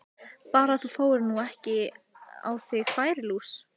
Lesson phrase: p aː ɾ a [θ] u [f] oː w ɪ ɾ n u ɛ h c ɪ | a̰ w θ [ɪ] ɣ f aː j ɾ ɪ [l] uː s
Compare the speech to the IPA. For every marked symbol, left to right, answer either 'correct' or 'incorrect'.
correct, correct, correct, correct

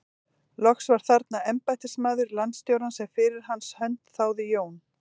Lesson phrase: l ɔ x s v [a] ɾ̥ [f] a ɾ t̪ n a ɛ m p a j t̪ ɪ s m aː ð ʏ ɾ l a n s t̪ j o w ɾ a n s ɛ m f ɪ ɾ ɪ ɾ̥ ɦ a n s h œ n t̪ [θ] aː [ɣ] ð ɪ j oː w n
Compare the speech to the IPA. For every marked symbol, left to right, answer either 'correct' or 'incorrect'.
correct, incorrect: θ, correct, incorrect: w

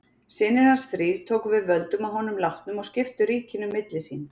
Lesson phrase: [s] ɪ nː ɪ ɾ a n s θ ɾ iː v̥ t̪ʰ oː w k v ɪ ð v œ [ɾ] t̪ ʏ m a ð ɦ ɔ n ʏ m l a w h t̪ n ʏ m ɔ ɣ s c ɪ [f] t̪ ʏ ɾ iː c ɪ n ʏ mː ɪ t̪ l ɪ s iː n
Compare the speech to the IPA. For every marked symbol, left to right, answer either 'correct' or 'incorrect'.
correct, incorrect: l, correct

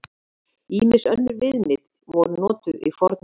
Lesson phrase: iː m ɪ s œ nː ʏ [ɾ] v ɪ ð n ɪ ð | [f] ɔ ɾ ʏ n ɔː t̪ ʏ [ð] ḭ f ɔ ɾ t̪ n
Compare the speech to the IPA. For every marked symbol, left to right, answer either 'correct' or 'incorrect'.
correct, incorrect: v, correct

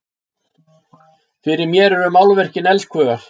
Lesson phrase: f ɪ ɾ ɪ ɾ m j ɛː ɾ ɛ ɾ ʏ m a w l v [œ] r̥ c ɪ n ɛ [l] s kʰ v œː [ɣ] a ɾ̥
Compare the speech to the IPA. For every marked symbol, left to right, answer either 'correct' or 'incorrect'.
incorrect: ɛ, correct, correct

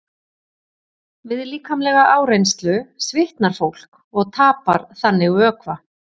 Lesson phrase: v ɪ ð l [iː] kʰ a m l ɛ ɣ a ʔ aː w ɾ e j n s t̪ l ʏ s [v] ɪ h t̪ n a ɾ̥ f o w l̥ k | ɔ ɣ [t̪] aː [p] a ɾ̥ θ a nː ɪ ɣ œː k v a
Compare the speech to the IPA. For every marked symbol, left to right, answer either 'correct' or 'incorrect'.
correct, correct, incorrect: t̪ʰ, correct

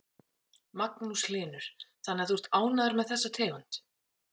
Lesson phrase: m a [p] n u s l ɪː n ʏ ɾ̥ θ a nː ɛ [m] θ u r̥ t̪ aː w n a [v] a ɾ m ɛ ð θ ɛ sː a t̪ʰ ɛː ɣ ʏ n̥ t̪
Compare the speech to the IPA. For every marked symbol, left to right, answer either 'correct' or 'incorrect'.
incorrect: k, incorrect: none, incorrect: ð

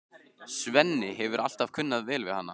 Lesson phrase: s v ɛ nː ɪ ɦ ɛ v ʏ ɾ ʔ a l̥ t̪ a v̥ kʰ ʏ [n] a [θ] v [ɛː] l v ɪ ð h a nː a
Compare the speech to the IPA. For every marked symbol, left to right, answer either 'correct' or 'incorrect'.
incorrect: nː, incorrect: ð, correct

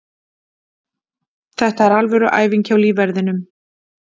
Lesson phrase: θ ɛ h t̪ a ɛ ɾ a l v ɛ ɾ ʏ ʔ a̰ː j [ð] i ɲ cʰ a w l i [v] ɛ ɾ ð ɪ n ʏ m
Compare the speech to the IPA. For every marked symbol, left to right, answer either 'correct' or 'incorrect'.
incorrect: v, correct

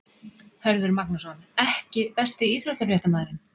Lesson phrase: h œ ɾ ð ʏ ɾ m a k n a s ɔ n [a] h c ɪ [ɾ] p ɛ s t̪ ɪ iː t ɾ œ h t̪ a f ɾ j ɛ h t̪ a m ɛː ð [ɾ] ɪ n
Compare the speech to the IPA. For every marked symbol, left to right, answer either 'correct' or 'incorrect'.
incorrect: ɛ, incorrect: none, correct

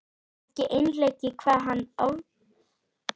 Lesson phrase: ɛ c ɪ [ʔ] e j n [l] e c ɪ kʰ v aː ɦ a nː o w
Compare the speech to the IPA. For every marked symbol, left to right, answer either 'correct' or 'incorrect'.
correct, correct

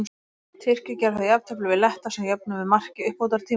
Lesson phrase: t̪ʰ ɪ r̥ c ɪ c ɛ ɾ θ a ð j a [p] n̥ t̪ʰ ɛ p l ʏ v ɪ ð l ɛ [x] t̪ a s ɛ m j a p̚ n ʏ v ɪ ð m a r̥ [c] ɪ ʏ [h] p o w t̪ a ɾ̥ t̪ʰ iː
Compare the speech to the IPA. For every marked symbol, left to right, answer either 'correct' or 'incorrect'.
correct, incorrect: h, correct, correct

